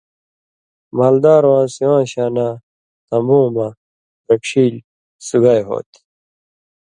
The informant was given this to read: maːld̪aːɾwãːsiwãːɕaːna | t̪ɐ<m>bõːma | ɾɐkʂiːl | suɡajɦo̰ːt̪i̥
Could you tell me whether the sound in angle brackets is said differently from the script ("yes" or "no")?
no